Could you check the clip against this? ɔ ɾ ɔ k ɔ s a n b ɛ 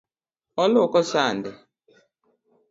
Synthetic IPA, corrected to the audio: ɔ l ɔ k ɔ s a n d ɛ

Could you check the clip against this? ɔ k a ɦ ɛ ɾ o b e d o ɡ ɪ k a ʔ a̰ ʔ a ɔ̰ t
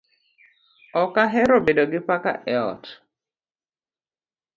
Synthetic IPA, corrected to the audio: ɔ k a ɦ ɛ ɾ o b e d o ɡ ɪ p a k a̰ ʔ ɛ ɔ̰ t

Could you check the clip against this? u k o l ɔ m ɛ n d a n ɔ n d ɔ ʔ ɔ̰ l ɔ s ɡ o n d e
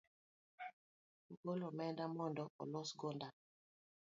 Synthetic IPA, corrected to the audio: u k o l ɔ m ɛ n d a m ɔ n d ɔ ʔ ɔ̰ l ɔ s ɡ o n d a

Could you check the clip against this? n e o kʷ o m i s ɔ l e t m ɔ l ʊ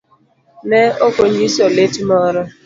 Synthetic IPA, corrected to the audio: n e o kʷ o ɲ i s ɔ l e t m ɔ ɾ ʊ

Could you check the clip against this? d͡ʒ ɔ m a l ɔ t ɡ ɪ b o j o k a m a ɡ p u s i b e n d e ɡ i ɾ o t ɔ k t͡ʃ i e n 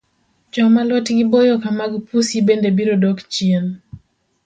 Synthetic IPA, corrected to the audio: d͡ʒ ɔ m a l ɔ t ɡ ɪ b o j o k a m a ɡ p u s i b e n d e b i ɾ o d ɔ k t͡ʃ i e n

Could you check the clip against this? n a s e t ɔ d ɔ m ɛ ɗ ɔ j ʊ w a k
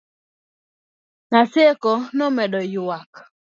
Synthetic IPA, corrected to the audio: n a s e k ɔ n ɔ m ɛ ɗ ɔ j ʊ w a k

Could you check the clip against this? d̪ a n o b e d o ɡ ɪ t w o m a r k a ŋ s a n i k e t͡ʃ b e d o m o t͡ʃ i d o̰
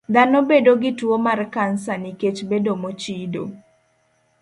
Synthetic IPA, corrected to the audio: d̪ a n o b e d o ɡ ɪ t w o m a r k a n s a n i k e t͡ʃ b e d o m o t͡ʃ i d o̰

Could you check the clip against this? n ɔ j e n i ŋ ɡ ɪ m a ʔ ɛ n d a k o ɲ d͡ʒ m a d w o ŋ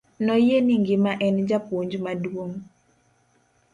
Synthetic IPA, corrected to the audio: n ɔ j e n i ŋ ɡ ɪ m a ʔ ɛ n d͡ʒ a p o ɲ d͡ʒ m a d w o ŋ

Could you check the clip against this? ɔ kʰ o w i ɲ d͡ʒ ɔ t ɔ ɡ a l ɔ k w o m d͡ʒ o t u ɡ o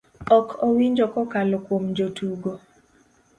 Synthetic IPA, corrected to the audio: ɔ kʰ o w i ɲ d͡ʒ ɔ k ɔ k a l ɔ k w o m d͡ʒ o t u ɡ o

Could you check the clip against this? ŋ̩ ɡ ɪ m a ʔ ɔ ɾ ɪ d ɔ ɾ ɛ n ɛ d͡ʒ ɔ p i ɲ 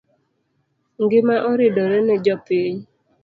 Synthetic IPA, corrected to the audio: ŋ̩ ɡ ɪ m a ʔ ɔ ɾ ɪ d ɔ ɾ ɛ n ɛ d͡ʒ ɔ p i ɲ

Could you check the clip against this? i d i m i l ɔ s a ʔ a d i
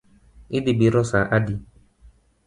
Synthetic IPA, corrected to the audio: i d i b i ɾ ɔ s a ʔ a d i

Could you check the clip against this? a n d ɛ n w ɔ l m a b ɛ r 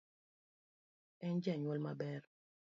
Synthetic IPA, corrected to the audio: ɛ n d͡ʒ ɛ ɲ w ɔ l m a b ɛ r

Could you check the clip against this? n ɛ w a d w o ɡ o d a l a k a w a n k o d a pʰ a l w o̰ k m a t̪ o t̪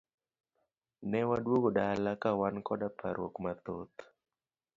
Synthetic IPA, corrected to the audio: n ɛ w a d w o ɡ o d a l a k a w a n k ɔ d a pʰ a ɾ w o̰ k m a t̪ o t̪

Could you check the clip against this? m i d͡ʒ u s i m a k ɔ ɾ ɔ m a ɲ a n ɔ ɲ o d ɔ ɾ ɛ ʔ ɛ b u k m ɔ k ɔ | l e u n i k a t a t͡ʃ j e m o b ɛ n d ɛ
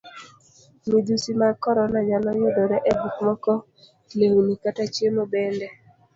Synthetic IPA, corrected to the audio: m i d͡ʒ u s i m a k ɔ ɾ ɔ n a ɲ a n ɔ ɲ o d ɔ ɾ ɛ ʔ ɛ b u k m ɔ k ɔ | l e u n i k a t a t͡ʃ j e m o b ɛ n d ɛ

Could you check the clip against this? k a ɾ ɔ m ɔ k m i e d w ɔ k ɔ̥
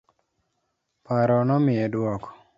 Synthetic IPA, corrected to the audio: p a ɾ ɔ n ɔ m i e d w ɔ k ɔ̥

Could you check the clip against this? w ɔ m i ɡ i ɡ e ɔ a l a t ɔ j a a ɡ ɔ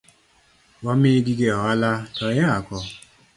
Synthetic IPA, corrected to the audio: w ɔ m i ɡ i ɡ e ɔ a l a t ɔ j a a k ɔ

